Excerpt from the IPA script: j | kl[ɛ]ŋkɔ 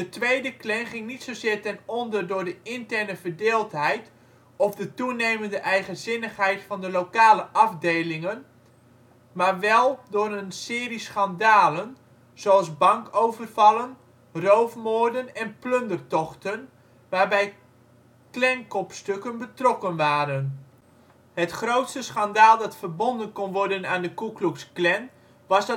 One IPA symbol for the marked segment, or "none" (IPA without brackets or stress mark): ɛ